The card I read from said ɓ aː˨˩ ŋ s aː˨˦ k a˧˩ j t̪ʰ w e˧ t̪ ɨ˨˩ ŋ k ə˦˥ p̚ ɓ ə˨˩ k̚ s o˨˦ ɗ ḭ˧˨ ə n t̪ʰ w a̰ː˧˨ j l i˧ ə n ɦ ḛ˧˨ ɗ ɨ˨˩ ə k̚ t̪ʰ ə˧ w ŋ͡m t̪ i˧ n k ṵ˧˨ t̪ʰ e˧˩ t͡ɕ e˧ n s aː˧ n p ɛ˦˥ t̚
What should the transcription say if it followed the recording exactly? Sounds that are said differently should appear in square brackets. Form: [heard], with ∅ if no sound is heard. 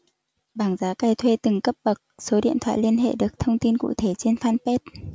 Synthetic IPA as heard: ɓ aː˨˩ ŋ [z] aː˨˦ k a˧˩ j t̪ʰ w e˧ t̪ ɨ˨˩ ŋ k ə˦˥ p̚ ɓ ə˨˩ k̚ s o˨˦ ɗ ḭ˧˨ ə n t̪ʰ w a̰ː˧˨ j l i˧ ə n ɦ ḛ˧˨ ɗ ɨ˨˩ ə k̚ t̪ʰ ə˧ w ŋ͡m t̪ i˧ n k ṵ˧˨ t̪ʰ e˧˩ t͡ɕ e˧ n [f] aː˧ n p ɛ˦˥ t̚